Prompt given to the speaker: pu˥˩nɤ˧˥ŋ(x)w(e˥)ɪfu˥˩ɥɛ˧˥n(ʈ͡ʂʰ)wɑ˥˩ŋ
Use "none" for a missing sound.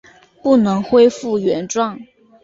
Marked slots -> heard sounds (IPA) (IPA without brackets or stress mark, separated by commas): x, e˥, ʈ͡ʂ